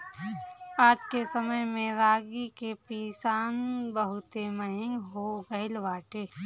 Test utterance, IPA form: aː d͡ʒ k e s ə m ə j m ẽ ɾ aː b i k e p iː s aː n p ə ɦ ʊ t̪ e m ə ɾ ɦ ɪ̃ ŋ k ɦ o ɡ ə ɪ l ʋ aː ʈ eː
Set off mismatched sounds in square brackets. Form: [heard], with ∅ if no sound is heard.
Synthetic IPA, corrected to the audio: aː d͡ʒ k e s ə m ə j m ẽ ɾ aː [ɡ] i k e p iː s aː n [b] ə ɦ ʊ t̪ e m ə [∅] ɦ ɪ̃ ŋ [ɡ] ɦ o ɡ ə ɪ l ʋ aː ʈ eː

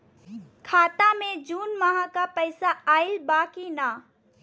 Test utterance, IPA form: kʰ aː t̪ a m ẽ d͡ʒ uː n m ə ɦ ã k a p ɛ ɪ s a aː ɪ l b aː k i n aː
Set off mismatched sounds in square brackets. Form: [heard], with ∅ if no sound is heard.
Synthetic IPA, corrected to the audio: kʰ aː t̪ a m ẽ d͡ʒ uː n m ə ɦ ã k a p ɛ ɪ s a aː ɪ l b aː k i n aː

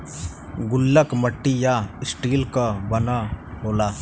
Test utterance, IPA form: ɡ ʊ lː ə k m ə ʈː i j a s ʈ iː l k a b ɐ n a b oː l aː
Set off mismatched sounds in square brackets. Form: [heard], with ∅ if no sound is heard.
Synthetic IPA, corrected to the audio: ɡ ʊ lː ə k m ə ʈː i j a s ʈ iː l k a b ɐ n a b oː l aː

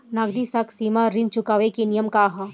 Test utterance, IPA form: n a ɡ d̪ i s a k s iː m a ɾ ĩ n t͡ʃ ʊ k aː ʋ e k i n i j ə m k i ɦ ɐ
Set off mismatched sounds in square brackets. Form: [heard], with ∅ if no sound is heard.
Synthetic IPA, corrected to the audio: n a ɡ d̪ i s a k s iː m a ɾ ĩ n t͡ʃ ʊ k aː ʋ e k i n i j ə m k [a] ɦ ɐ

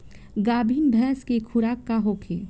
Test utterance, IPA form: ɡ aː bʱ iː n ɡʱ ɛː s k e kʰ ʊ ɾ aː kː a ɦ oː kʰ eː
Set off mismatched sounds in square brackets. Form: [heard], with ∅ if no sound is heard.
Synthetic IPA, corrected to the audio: ɡ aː bʱ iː n [bʱ] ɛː s k e kʰ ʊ ɾ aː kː a ɦ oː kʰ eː

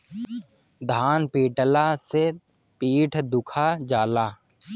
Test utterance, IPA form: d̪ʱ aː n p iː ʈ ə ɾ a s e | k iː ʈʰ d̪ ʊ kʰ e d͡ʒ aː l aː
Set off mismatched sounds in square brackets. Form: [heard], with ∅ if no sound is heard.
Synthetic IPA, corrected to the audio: d̪ʱ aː n p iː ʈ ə [l] a s e | [p] iː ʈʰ d̪ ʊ kʰ [a] d͡ʒ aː l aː

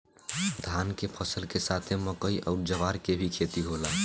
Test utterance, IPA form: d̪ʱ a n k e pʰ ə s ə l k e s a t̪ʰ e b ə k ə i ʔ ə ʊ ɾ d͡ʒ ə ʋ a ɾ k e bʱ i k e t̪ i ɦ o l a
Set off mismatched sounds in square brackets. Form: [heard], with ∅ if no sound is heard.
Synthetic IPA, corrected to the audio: d̪ʱ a n k e pʰ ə s ə l k e s a t̪ʰ e [m] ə k ə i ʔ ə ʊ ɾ d͡ʒ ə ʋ a ɾ k e bʱ i [kʰ] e t̪ i ɦ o l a

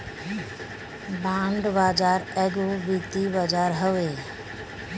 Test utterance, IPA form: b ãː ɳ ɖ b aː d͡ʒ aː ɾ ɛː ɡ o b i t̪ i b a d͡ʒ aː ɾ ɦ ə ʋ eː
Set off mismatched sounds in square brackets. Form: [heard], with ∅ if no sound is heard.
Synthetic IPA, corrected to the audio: b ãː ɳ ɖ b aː d͡ʒ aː ɾ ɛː ɡ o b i t̪ i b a d͡ʒ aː ɾ ɦ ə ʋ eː

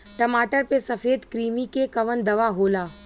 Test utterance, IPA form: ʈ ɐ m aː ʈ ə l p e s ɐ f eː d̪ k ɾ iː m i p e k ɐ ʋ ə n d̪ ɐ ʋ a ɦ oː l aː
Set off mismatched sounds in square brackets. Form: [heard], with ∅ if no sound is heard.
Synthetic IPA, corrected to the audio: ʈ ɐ m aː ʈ ə [ɾ] p e s ɐ f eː d̪ k ɾ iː m i [k] e k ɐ ʋ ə n d̪ ɐ ʋ a ɦ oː l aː

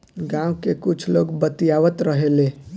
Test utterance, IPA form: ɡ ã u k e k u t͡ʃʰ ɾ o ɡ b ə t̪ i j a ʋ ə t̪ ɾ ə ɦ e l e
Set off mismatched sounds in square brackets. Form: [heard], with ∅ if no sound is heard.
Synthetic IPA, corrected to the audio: ɡ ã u k e k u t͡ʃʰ [l] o ɡ b ə t̪ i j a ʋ ə t̪ ɾ ə ɦ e l e

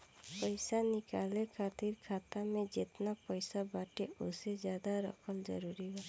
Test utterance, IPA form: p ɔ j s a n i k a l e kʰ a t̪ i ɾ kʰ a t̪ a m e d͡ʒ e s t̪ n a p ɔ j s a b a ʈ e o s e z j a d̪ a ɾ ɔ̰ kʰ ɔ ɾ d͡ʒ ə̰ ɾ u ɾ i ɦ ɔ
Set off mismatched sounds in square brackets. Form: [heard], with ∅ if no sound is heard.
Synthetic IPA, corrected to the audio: p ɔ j s a n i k a l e kʰ a t̪ i ɾ kʰ a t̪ a m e d͡ʒ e [∅] t̪ n a p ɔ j s a b a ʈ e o s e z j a d̪ a ɾ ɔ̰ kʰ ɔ [l] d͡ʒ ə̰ ɾ u ɾ i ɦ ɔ

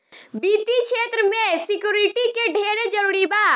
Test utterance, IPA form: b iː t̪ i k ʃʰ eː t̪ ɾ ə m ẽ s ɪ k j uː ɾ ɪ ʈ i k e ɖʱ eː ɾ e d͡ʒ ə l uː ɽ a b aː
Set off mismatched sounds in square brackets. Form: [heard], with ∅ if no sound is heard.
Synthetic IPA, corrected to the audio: b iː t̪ i k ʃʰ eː t̪ ɾ ə m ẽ s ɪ k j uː ɾ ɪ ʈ i k e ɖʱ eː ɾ e d͡ʒ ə [ɾ] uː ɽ [i] b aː

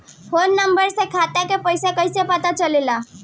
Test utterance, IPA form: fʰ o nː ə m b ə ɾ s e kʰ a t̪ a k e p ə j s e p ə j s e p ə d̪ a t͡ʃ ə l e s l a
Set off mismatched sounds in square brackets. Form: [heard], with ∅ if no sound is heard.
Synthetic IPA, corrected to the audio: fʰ o nː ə m b ə ɾ s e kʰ a t̪ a k e p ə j s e [k] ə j s e p ə [t̪] a t͡ʃ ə l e [∅] l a

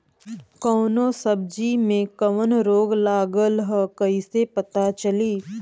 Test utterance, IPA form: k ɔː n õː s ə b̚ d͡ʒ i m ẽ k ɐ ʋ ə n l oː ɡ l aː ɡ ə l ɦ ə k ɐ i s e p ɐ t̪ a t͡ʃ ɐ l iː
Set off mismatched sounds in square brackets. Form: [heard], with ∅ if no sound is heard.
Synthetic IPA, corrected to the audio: k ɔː n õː s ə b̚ d͡ʒ i m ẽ k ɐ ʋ ə n [ɾ] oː ɡ l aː ɡ ə l ɦ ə k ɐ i s e p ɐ t̪ a t͡ʃ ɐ l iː

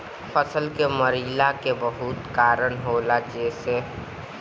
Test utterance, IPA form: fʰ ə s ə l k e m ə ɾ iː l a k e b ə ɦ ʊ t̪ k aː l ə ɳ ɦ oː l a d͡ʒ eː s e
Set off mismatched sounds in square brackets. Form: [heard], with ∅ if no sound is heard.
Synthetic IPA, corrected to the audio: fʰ ə s ə l k e m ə ɾ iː l a k e b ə ɦ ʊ t̪ k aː [ɾ] ə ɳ ɦ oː l a d͡ʒ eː s e

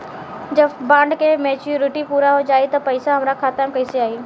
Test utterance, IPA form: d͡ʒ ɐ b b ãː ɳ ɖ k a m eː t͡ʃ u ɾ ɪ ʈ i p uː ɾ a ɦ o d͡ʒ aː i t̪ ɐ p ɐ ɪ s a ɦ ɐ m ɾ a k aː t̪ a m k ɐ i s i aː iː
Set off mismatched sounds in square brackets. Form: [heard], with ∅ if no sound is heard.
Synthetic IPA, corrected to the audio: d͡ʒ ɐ b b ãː ɳ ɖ k [e] m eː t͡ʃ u ɾ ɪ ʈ i p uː ɾ a ɦ o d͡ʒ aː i t̪ ɐ p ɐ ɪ s a ɦ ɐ m ɾ a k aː t̪ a m k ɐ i s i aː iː

